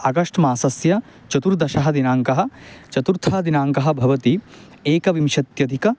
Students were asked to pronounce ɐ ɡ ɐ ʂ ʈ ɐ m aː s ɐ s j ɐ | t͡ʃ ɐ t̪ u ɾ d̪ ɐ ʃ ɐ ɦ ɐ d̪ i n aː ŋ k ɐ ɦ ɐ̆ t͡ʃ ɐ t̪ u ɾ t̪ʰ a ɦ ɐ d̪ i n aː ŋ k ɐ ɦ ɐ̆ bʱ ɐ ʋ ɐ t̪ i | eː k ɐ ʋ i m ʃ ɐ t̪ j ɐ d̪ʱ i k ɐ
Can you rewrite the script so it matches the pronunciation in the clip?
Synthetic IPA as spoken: ɐ ɡ ɐ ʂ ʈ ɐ m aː s ɐ s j ɐ | t͡ʃ ɐ t̪ u ɾ d̪ ɐ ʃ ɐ ɦ ɐ d̪ i n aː ŋ k ɐ ɦ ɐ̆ t͡ʃ ɐ t̪ u ɾ t̪ʰ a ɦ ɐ d̪ i n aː ŋ k ɐ ɦ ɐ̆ bʱ ɐ ʋ ɐ t̪ i | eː k ɐ ʋ i m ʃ ɐ t̪ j ɐ d̪ʱ i k ɐ